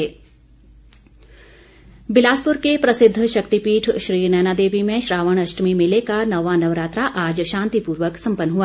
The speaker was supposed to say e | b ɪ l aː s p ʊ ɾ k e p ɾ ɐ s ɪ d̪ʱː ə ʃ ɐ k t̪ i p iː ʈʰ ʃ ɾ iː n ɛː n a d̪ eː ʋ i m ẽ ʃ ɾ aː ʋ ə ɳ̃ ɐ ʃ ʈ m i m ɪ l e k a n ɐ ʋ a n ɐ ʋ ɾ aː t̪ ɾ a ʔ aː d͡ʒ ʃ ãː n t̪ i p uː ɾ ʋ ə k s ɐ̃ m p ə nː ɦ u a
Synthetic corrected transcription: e | b ɪ l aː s p ʊ ɾ k e p ɾ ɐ s ɪ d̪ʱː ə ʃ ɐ k t̪ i p iː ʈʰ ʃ ɾ iː n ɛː n a d̪ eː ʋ i m ẽ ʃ ɾ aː ʋ ə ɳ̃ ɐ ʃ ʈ m i m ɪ l e k a n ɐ ʋ a n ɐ ʋ ɾ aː t̪ ɾ a ʔ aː d͡ʒ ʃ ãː n t̪ i p uː ɾ ʋ ə k s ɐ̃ m p ə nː ɦ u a

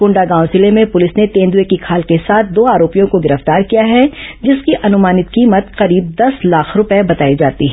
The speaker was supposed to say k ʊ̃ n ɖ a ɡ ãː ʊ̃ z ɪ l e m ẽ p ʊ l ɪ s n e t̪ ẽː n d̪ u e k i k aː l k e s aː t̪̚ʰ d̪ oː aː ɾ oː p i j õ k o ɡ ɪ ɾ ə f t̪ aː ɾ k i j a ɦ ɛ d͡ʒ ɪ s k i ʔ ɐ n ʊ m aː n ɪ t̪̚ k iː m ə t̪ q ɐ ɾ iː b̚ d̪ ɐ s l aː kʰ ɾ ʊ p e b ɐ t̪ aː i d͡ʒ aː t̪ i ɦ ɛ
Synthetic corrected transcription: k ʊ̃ ɳ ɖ a ɡ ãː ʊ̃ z ɪ l e m ẽ p ʊ l ɪ s n e t̪ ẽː n d̪ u e k i kʰ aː l k e s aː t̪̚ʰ d̪ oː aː ɾ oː p i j õ k o ɡ ɪ ɾ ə f t̪ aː ɾ k i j a ɦ ɛ d͡ʒ ɪ s k i ʔ ɐ n ʊ m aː n ɪ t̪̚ k iː m ə t̪ q ɐ ɾ iː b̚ d̪ ɐ s l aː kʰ ɾ ʊ p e b ɐ t̪ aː i d͡ʒ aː t̪ i ɦ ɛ

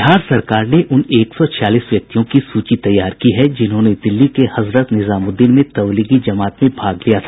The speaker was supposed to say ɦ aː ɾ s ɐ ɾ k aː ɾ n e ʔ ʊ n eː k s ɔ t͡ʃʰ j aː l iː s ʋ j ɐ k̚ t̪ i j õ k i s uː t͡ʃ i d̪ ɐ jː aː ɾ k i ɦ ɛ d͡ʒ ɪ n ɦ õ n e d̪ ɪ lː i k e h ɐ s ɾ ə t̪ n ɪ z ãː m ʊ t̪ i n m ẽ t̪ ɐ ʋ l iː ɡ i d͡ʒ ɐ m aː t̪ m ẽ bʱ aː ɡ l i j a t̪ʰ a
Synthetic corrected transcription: ɦ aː ɾ s ɐ ɾ k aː ɾ n e ʔ ʊ n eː k s ɔ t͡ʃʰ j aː l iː s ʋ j ɐ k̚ t̪ i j õ k i s uː t͡ʃ i t̪ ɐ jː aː ɾ k i ɦ ɛ d͡ʒ ɪ n ɦ õ n e d̪ ɪ lː i k e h ɐ z ɾ ə t̪ n ɪ z aː m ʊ d̪ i n m ẽ t̪ ɐ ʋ l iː ɡ i d͡ʒ ɐ m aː t̪ m ẽ bʱ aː ɡ l i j a t̪ʰ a

